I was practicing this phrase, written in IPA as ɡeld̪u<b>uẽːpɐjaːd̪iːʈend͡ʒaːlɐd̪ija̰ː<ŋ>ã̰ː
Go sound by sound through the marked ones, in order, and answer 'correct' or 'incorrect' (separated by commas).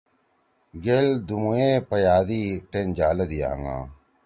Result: incorrect, correct